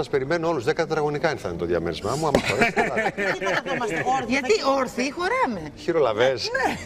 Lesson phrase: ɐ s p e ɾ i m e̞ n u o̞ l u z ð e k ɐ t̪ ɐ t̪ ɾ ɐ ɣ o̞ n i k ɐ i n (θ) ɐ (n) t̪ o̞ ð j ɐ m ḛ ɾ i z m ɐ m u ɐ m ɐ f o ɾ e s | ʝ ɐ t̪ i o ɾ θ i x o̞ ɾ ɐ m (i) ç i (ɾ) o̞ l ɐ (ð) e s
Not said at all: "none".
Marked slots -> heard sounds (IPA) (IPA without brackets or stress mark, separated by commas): θ, n, e, ɾ, v